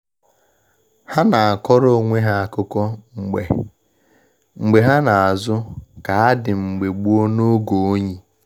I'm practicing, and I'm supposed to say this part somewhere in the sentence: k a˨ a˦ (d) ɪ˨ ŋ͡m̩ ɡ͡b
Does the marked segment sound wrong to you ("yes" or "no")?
no